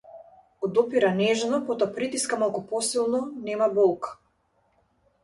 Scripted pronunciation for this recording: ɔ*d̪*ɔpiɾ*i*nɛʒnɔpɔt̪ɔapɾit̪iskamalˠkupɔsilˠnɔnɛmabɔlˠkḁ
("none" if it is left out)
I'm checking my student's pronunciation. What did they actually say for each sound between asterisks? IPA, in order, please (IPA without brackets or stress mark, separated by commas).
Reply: d̪, a